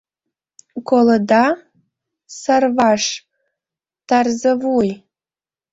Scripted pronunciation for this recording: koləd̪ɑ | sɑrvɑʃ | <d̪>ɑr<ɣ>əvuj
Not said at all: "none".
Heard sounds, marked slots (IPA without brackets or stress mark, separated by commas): t̪, z